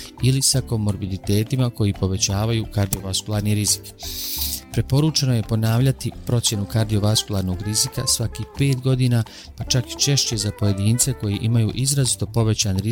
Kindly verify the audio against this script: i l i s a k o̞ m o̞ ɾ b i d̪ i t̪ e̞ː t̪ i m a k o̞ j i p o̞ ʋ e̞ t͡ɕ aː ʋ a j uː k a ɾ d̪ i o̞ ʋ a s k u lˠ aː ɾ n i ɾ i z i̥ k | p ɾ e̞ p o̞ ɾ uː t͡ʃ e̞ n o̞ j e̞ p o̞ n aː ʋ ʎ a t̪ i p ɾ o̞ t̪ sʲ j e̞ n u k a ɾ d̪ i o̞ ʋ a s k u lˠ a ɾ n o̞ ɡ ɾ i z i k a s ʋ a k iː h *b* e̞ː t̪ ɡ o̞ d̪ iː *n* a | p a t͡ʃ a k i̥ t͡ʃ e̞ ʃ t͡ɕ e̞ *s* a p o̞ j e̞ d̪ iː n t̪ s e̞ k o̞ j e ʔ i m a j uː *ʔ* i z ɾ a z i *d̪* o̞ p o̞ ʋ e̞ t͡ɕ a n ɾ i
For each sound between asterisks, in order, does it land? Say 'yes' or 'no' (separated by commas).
no, yes, no, yes, no